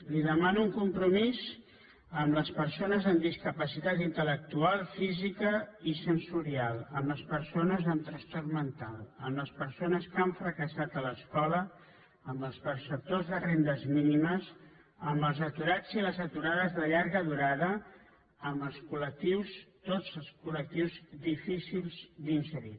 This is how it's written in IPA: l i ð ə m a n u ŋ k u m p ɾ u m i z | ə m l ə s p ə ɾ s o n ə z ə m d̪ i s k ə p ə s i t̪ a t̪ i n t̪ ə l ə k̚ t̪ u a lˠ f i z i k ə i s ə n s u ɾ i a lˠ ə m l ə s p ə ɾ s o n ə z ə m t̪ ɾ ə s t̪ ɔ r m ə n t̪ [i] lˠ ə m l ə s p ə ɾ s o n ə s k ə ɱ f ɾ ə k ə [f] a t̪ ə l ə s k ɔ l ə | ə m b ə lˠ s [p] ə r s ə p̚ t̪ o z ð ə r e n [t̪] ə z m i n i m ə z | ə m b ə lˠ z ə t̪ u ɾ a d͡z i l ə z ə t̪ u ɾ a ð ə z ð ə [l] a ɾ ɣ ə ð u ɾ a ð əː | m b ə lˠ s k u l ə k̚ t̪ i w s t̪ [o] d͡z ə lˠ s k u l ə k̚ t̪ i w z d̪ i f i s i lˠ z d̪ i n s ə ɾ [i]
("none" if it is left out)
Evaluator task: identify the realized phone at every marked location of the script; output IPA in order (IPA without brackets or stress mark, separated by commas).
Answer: a, s, p, d̪, ʎ, o, i